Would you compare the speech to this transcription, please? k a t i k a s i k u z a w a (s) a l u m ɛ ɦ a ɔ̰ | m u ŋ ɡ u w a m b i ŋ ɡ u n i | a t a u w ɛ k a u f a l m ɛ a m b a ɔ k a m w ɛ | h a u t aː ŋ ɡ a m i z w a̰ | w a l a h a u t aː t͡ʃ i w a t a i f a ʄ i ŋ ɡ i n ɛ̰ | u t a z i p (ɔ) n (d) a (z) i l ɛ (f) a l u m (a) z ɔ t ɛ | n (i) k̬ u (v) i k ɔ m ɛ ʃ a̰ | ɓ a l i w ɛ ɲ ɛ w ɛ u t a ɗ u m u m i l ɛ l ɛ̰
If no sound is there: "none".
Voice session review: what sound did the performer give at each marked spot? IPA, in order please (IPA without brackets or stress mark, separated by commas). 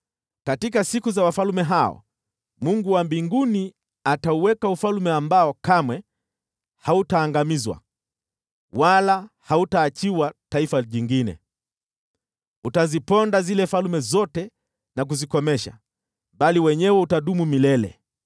f, ɔ, d, z, f, ɛ, a, z